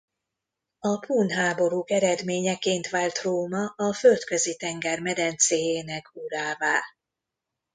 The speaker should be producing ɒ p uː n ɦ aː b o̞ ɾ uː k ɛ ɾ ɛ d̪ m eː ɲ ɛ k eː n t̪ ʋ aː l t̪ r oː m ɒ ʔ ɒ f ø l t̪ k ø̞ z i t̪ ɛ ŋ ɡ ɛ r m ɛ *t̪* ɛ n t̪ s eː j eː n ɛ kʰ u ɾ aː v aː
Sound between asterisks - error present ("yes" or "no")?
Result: yes